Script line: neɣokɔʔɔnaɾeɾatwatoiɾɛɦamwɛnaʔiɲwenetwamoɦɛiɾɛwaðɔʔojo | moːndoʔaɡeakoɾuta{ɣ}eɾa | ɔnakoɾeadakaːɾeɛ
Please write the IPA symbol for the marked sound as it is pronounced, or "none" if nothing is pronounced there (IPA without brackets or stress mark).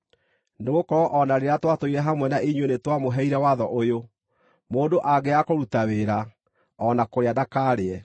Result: w